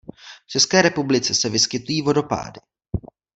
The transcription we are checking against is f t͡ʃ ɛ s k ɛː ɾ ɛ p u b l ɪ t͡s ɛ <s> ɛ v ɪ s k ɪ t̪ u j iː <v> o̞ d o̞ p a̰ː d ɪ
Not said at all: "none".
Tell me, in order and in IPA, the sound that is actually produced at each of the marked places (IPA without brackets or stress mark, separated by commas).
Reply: s, v